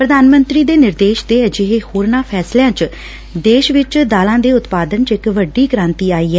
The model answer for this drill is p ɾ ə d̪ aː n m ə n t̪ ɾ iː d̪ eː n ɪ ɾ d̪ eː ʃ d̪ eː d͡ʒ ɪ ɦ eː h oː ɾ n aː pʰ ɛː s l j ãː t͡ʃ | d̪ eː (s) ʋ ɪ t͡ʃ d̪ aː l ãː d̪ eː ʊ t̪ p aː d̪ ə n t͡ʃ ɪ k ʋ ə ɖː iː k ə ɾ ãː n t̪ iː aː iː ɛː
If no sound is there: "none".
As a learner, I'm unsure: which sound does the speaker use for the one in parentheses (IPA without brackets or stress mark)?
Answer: ʃ